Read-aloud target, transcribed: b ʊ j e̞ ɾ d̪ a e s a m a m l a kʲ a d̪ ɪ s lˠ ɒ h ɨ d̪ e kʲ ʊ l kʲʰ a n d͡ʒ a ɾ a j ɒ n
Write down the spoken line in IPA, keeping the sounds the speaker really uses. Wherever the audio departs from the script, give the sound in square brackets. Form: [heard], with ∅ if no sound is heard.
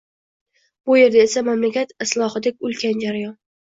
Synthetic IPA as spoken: b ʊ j e̞ ɾ d̪ a e s a m a m l a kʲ a [t̪] ɪ s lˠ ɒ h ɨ d̪ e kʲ ʊ l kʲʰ a n d͡ʒ a ɾ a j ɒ n

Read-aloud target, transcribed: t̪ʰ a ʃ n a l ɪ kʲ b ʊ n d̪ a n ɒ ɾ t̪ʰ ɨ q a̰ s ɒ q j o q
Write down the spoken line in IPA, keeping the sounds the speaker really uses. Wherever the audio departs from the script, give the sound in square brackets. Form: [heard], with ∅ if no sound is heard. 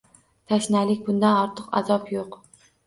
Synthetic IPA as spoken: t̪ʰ a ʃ n a l ɪ kʲ b ʊ n d̪ a n ɒ ɾ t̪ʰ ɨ q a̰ [z] ɒ [p] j o q

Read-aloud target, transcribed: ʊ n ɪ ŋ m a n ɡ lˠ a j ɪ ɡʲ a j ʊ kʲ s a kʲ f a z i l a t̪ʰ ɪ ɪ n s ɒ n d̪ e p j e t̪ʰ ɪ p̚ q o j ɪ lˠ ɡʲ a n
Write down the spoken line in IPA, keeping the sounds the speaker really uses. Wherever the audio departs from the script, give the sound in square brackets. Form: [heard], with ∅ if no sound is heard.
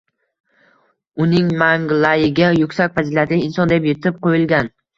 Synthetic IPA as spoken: ʊ n ɪ ŋ m a [ŋ] ɡ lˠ a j ɪ ɡʲ a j ʊ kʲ s a kʲ f a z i l a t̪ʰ ɪ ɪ n s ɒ n d̪ e p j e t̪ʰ ɪ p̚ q o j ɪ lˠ ɡʲ a n

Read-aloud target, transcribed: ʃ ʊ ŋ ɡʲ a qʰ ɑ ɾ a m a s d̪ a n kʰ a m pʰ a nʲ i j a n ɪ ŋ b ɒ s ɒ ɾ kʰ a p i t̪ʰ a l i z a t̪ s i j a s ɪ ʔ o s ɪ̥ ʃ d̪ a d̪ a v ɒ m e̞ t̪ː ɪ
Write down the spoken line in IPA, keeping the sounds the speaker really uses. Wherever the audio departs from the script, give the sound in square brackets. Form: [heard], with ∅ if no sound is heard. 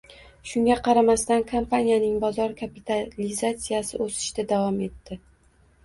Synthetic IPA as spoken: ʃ ʊ ŋ ɡʲ a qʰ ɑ ɾ a m a s [t̪] a n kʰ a m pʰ a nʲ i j a n ɪ ŋ b ɒ [z] ɒ ɾ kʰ a p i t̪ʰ a l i z a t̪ s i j a s ɪ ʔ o s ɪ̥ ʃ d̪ a d̪ a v ɒ m e̞ t̪ː ɪ

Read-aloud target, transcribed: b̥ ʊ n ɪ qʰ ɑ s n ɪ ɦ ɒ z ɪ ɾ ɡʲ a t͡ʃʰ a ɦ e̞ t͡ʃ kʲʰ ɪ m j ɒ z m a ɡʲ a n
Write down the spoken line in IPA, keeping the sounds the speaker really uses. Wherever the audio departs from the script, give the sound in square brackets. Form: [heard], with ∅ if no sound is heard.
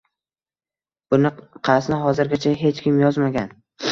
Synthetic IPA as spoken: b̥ ʊ n ɪ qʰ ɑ s n ɪ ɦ ɒ z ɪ ɾ ɡʲ a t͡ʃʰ a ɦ e̞ t͡ʃ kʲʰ ɪ m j ɒ z m a ɡʲ a n

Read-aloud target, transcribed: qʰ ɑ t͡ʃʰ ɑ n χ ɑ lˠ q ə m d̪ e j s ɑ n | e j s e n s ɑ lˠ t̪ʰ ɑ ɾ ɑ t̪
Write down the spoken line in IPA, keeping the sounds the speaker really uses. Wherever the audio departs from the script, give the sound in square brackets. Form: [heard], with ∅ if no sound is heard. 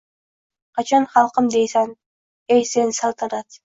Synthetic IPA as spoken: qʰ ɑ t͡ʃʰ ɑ n χ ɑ lˠ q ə m d̪ e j s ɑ n | e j s e n s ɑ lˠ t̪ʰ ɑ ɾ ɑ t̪

